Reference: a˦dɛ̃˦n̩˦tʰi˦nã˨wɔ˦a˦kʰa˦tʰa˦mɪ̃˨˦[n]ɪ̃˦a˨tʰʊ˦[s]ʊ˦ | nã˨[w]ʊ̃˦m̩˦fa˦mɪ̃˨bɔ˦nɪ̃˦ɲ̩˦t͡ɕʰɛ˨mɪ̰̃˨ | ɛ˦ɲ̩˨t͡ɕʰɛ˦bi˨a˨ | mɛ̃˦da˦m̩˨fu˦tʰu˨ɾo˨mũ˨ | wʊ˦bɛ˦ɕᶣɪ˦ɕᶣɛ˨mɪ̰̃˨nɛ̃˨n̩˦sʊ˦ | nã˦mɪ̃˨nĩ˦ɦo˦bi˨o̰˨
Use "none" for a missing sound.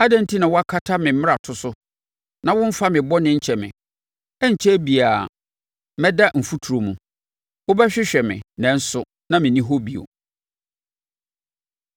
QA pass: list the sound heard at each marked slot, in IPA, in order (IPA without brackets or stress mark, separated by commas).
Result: m, s, w